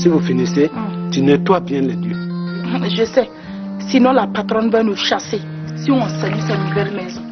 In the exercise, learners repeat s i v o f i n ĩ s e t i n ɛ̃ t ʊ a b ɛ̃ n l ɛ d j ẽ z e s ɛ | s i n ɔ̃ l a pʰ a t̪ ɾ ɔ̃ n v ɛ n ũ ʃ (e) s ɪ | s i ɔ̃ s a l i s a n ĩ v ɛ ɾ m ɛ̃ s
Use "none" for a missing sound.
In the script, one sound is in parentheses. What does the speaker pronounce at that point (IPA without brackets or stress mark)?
a